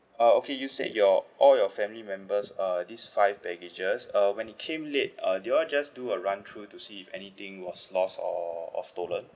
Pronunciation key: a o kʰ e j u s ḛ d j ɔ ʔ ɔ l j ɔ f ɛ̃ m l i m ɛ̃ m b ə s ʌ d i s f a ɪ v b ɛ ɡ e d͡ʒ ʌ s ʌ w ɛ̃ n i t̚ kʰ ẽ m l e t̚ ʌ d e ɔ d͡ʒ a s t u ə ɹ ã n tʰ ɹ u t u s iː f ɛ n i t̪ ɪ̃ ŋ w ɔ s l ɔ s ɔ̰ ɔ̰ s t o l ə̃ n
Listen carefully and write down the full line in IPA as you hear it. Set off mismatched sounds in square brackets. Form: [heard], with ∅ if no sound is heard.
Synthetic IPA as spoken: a o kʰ e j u s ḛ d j ɔ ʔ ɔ l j ɔ f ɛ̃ m l i m ɛ̃ m b ə s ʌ d i s f a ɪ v b ɛ ɡ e d͡ʒ [ə] s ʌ w ɛ̃ n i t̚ kʰ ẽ m l e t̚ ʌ d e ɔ d͡ʒ a s [d] u ə ɹ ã n tʰ ɹ u t u s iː f ɛ n i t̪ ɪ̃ ŋ w ɔ s l ɔ s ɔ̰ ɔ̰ s t o l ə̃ n